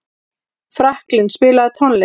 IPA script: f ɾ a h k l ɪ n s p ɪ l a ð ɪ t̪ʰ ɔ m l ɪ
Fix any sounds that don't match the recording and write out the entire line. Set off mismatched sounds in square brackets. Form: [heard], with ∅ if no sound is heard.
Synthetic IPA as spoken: f ɾ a h k l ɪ n s p [ɪː] l a ð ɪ t̪ʰ ɔ [n] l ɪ